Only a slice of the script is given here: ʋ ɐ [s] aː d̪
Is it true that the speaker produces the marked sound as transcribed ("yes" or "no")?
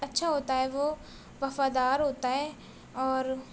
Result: no